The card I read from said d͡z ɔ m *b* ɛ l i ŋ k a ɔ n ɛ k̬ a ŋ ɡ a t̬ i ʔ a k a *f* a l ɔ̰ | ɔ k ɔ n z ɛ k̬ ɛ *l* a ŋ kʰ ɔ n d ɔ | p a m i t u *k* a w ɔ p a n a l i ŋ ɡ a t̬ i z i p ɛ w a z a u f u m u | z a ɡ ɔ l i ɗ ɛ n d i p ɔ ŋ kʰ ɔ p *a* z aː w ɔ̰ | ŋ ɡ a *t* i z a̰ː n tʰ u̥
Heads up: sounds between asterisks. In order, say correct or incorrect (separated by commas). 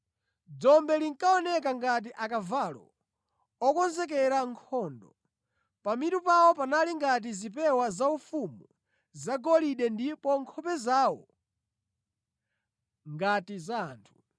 correct, incorrect, incorrect, incorrect, incorrect, correct